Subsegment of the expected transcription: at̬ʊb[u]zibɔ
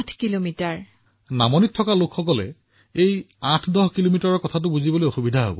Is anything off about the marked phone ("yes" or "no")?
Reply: no